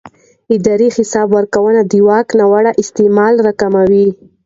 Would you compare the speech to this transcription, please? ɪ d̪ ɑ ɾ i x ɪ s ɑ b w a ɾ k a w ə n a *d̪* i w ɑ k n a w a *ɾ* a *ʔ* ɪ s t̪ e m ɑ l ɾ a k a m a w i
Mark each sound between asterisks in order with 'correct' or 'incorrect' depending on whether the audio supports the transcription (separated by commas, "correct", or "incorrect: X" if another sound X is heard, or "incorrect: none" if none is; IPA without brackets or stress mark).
correct, incorrect: ɽ, correct